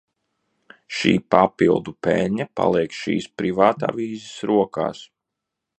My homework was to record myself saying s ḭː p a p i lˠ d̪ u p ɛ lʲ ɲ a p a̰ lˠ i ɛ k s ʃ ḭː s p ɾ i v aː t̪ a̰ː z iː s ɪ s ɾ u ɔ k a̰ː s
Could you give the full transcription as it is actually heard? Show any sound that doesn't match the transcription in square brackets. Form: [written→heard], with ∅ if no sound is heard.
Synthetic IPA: [s→ʃ] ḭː p a p i lˠ d̪ u p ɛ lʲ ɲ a p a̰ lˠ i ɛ k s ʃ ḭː s p ɾ i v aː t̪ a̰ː [z→v] iː [s→z] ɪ s ɾ u ɔ k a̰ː s